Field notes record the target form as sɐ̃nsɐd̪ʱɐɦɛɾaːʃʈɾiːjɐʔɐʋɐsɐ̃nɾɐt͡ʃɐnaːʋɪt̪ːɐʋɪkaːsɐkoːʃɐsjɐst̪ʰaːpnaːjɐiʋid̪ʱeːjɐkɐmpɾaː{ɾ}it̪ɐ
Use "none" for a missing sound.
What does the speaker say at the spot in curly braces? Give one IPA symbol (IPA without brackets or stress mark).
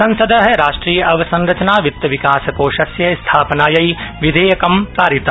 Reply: ɾ